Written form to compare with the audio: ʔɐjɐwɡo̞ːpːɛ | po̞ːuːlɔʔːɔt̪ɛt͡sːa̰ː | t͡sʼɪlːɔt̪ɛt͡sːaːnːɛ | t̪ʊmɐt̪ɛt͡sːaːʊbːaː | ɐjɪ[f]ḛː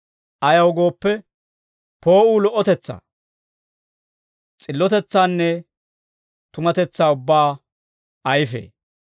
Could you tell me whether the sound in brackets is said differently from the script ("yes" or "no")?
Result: no